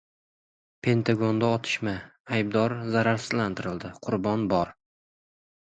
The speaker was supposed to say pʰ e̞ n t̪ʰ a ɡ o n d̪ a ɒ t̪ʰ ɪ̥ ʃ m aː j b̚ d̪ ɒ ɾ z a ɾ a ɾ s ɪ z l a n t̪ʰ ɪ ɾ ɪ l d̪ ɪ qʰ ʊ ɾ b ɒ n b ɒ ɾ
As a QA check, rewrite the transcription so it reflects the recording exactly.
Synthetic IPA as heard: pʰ e̞ n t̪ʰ a ɡ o n d̪ a ɒ t̪ʰ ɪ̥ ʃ m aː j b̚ d̪ ɒ ɾ z a ɾ a ɾ s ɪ z l a n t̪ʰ ɪ ɾ ɪ l d̪ ɪ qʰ ʊ ɾ b ɒ n b ɒ ɾ